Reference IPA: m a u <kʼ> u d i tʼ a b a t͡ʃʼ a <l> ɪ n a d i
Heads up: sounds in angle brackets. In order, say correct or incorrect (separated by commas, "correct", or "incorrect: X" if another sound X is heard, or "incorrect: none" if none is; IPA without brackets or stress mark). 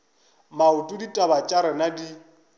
incorrect: tʼ, incorrect: ɾ